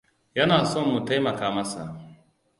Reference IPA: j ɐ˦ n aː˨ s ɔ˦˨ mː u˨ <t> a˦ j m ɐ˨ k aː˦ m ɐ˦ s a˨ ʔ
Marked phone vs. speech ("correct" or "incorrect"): correct